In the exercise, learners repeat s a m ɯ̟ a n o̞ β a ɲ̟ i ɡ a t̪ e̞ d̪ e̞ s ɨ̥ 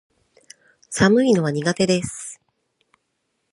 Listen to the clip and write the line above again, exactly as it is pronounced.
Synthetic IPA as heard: s a m ɯ̟ i n o̞ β a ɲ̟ i ɡ a t̪ e̞ d̪ e̞ s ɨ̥